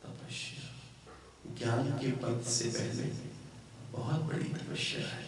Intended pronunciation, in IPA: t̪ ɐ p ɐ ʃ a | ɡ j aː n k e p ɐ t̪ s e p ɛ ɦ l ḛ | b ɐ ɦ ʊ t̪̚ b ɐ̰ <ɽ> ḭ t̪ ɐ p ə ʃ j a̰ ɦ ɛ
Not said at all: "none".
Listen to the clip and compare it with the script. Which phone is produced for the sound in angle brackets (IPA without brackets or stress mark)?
ɽ